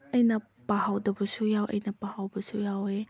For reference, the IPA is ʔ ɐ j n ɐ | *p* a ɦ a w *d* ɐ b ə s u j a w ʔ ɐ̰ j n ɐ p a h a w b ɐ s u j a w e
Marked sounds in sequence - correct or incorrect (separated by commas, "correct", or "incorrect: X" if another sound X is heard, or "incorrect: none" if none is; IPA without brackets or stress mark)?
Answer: correct, correct